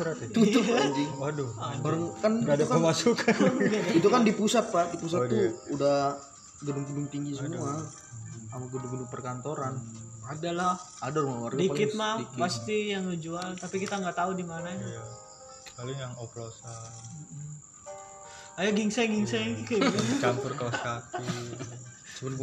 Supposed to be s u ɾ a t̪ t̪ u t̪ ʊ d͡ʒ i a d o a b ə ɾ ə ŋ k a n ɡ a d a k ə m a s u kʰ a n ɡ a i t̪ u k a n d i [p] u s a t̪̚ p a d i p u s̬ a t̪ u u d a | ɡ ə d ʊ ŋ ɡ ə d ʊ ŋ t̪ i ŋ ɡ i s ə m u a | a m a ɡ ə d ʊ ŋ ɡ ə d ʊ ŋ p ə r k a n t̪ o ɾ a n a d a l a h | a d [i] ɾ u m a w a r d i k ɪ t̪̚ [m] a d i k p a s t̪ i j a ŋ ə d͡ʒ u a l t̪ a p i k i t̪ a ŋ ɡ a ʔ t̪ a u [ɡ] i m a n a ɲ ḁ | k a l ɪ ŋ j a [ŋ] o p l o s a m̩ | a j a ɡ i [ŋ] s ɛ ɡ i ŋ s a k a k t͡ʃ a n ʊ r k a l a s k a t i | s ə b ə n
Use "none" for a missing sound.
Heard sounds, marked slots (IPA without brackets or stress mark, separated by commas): p, a, m, d, ŋ, ŋ